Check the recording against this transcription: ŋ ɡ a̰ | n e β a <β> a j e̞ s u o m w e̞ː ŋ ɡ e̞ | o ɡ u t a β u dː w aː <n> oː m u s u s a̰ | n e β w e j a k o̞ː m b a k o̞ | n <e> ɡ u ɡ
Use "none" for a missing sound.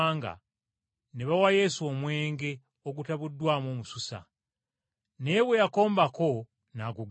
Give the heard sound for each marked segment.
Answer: w, m, a

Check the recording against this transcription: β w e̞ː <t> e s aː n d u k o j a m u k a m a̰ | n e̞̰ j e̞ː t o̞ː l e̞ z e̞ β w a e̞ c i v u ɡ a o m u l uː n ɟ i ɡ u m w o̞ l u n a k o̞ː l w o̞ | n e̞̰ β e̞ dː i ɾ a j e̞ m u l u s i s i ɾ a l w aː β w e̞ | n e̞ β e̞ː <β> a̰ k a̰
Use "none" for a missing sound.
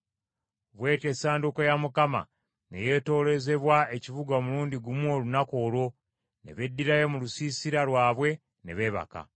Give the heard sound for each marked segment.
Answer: t, β

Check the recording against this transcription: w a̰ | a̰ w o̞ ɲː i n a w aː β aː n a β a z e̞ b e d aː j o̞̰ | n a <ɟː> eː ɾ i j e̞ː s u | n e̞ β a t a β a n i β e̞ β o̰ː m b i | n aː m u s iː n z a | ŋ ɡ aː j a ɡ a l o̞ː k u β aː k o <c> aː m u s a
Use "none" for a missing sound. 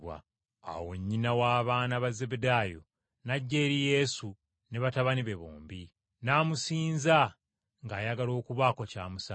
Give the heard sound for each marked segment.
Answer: ɟː, c

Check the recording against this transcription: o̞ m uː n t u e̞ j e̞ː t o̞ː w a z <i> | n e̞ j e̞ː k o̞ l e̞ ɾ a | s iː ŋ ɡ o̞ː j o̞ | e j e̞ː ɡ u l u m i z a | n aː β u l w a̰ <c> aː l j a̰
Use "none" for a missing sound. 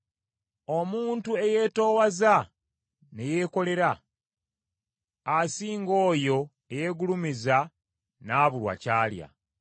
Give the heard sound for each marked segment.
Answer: a, c

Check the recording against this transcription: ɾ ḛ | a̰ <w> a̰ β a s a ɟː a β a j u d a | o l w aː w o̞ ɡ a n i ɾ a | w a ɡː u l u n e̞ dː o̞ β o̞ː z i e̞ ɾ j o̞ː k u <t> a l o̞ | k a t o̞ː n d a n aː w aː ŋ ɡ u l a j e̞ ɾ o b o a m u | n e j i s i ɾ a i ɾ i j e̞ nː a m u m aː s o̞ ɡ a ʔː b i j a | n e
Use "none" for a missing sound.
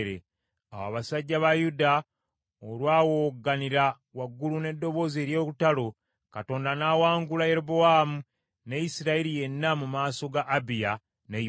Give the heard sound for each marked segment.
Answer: w, t

